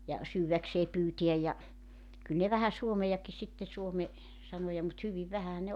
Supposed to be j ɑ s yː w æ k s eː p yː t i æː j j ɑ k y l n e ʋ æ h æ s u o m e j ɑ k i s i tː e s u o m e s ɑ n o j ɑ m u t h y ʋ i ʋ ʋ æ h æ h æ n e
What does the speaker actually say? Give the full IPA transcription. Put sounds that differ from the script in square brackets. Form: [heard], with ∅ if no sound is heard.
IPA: j ɑ s yː w æ k s eː p yː t i [æ] j j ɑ k y l n e ʋ æ h æ s u o m e j ɑ k i s i tː e s u o m e s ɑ n o j ɑ m u t h y ʋ i ʋ ʋ æ h æ h æ n e